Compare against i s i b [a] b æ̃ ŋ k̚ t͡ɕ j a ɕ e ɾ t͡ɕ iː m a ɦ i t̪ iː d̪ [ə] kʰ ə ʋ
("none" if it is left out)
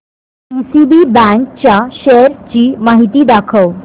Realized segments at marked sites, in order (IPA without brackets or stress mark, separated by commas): i, a